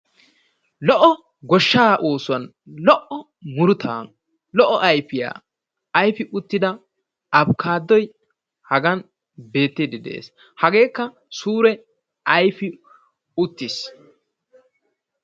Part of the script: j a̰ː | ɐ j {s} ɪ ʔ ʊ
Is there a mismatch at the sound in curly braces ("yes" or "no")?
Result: yes